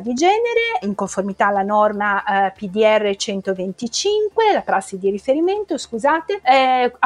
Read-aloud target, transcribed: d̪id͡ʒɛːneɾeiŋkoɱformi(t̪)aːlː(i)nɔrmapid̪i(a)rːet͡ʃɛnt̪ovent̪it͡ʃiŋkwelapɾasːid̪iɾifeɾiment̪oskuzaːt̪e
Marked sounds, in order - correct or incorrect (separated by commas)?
correct, incorrect, incorrect